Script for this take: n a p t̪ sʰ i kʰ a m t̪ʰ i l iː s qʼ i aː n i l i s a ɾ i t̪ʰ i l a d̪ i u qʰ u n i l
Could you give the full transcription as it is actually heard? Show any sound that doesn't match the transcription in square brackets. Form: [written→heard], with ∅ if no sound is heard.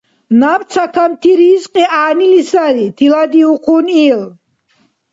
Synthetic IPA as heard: n a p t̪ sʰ [i→a] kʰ a m t̪ʰ i [l→ɾ] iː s qʼ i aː n i l i s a ɾ i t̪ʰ i l a d̪ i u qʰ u n i l

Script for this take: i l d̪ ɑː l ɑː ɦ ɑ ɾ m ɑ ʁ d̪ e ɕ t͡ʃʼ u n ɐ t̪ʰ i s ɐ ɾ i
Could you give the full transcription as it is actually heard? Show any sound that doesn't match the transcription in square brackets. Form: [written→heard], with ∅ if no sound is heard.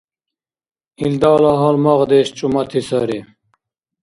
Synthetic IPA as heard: i l d̪ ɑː l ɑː ɦ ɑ [ɾ→l] m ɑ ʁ d̪ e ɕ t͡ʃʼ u [n→m] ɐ t̪ʰ i s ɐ ɾ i

